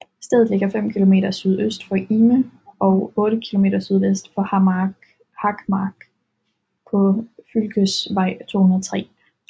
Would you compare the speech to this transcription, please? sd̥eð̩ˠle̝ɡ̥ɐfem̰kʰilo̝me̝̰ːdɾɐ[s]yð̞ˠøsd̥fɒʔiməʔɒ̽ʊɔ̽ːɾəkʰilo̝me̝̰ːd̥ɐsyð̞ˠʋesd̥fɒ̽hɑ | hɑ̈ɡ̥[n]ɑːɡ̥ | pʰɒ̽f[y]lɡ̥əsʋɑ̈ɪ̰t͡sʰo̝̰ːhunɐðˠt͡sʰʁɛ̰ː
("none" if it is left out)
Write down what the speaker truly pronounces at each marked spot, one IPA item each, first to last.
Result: s, m, y

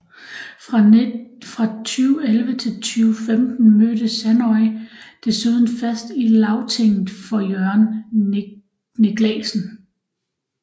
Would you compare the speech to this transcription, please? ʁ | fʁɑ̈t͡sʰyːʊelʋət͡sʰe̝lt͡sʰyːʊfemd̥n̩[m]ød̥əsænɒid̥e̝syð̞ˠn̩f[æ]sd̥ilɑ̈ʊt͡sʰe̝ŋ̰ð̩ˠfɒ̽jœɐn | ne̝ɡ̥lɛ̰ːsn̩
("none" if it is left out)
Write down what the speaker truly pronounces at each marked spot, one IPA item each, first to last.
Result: m, æ

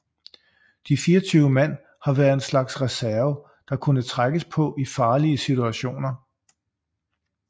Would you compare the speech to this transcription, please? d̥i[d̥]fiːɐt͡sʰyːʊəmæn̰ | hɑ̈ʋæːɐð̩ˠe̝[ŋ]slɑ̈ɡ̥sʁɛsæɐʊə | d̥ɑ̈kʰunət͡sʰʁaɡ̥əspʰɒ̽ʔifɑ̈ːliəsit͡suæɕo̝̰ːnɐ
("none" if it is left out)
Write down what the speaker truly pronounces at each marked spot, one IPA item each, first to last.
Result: none, n

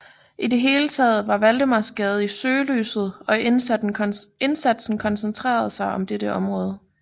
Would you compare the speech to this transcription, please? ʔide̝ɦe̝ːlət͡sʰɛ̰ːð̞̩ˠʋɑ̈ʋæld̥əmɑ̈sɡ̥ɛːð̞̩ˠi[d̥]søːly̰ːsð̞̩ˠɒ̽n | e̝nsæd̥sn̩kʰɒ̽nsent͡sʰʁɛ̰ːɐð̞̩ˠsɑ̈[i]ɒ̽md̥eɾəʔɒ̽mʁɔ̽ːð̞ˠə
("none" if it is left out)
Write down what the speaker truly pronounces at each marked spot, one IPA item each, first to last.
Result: none, ɪ

